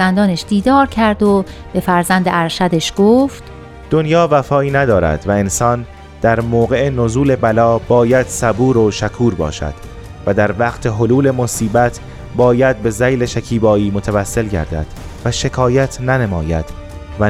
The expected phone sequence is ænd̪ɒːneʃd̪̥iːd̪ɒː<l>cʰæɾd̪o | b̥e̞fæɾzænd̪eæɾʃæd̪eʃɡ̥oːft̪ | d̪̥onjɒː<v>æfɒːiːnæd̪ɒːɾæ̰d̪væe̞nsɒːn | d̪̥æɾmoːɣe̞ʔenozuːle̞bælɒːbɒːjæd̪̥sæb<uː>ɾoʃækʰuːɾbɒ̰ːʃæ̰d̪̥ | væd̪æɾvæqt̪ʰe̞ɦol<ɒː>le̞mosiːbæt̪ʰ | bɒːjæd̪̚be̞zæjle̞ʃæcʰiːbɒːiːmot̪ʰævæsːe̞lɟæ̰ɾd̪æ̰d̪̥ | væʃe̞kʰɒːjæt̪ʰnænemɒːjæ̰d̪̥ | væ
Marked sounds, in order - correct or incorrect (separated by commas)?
incorrect, correct, correct, incorrect